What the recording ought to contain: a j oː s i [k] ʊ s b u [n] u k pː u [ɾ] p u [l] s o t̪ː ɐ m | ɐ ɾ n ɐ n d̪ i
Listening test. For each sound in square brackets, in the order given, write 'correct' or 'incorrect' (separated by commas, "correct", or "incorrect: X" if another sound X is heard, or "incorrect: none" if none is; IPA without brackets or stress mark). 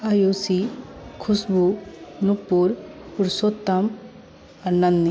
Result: incorrect: kʰ, correct, correct, incorrect: ɾ